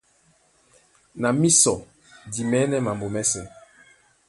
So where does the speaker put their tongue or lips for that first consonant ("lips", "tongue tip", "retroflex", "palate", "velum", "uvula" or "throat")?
tongue tip